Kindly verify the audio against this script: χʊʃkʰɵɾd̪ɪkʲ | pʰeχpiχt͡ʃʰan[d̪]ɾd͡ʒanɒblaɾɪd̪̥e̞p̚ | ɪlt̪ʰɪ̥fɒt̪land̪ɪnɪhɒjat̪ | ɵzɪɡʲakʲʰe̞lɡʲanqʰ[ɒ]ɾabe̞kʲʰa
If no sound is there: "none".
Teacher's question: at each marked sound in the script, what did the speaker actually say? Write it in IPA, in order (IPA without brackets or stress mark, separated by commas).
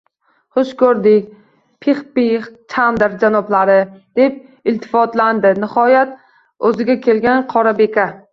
d̪, ɒ